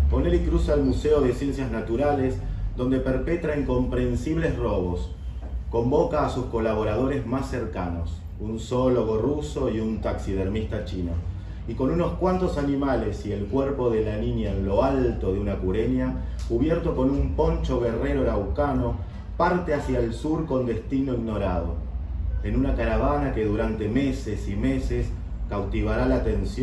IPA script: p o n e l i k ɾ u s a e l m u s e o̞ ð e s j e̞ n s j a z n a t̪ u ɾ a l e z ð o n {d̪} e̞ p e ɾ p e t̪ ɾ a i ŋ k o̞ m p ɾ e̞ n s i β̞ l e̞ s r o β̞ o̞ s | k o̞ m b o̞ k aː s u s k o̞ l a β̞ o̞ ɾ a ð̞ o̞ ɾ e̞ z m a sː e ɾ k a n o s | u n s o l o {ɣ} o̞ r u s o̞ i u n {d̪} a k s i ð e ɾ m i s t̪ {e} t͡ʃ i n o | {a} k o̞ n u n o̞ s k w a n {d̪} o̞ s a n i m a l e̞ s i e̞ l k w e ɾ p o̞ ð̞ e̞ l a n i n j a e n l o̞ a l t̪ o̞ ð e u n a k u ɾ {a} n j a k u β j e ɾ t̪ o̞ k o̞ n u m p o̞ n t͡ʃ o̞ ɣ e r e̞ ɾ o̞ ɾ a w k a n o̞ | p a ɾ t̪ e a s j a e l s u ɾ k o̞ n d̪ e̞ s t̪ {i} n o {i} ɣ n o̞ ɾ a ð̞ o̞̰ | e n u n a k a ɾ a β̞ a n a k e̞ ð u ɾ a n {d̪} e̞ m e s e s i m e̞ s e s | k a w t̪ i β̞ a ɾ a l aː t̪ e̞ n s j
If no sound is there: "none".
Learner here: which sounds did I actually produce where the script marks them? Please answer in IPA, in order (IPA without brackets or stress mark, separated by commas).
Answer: d̪, ɣ, t̪, a, i, t̪, e, i, i, t̪